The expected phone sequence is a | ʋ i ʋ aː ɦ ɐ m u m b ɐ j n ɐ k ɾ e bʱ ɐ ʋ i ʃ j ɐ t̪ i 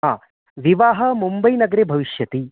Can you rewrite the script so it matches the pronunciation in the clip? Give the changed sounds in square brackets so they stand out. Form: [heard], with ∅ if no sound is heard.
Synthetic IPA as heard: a | ʋ i ʋ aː ɦ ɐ m u m b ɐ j n ɐ [ɡ] ɾ e bʱ ɐ ʋ i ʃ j ɐ t̪ i

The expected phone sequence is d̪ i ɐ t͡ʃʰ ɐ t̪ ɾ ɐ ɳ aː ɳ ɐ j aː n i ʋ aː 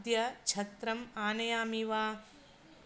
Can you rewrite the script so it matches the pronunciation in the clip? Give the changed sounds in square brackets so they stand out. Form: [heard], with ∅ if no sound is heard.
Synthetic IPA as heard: d̪ [j] ɐ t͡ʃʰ ɐ t̪ ɾ ɐ [m] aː [n] ɐ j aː [m] i ʋ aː

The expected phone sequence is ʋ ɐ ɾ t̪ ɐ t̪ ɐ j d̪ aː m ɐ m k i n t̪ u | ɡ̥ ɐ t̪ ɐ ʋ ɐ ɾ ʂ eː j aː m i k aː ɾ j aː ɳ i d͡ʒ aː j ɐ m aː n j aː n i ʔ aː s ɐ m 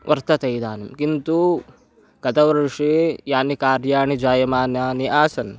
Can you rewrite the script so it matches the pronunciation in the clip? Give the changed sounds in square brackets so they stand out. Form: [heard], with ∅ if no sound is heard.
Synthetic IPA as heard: ʋ ɐ ɾ t̪ ɐ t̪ ɐ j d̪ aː [n] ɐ m k i n t̪ u | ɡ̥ ɐ t̪ ɐ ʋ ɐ ɾ ʂ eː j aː [n] i k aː ɾ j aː ɳ i d͡ʒ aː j ɐ m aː n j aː n i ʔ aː s ɐ [n]

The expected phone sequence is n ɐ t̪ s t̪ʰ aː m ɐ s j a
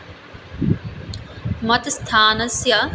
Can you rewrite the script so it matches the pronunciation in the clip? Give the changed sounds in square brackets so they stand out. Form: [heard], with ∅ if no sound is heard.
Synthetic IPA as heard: [m] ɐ t̪ s t̪ʰ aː [n] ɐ s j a

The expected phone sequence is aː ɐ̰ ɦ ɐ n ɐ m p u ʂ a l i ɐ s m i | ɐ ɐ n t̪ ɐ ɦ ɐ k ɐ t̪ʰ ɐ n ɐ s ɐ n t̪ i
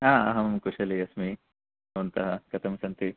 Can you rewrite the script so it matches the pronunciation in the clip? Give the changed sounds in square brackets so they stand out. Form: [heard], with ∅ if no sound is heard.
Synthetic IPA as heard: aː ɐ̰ ɦ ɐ [m] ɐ m [k] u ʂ [ɐ] l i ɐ s m i | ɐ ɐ n t̪ ɐ ɦ ɐ k ɐ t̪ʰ ɐ [m] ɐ s ɐ n t̪ i

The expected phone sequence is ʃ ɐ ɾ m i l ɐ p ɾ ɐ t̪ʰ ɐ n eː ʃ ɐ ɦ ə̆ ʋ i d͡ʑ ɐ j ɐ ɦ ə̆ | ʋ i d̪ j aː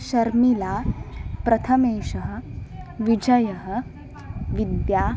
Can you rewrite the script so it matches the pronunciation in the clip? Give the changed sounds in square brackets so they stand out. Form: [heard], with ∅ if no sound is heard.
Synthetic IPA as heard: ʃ ɐ ɾ m i l [a] p ɾ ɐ t̪ʰ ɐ [m] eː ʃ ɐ ɦ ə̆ ʋ i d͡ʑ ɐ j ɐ ɦ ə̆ | ʋ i d̪ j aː

